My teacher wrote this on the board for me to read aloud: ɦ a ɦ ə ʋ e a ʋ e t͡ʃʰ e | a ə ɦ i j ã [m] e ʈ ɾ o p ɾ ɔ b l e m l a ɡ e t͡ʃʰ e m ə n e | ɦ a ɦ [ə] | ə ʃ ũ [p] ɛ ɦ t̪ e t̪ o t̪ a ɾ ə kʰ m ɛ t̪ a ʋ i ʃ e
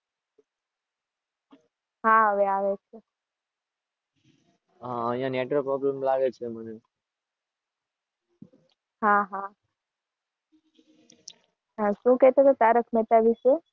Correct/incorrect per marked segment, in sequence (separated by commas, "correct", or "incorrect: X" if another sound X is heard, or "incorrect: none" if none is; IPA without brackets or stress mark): incorrect: n, incorrect: a, incorrect: k